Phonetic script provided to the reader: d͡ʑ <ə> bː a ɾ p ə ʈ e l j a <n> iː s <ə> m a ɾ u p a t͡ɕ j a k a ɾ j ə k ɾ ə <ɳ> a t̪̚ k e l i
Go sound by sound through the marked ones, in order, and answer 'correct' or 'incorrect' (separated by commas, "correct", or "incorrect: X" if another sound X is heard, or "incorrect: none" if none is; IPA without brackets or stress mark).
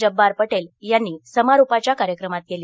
correct, incorrect: nː, correct, incorrect: m